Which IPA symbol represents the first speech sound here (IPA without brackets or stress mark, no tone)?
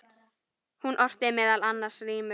h